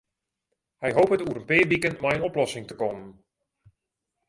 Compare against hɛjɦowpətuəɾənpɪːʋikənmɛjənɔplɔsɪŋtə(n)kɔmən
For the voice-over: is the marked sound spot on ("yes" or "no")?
no